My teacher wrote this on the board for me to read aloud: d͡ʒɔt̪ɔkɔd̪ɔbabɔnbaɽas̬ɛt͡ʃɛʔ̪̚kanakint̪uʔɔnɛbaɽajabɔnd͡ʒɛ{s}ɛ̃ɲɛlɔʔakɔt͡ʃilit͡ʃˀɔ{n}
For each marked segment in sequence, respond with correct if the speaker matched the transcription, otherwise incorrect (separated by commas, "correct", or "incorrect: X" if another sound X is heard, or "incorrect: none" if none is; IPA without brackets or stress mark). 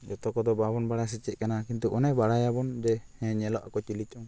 incorrect: h, incorrect: ŋ